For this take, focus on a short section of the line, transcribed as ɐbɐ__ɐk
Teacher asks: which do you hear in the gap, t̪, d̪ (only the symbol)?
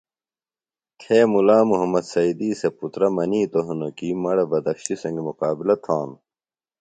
d̪